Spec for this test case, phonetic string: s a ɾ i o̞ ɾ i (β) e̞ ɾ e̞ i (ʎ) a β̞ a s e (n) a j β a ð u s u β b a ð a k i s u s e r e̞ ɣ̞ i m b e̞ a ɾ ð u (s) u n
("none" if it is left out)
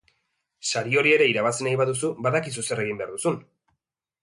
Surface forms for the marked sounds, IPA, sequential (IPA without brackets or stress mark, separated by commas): none, ɾ, n, s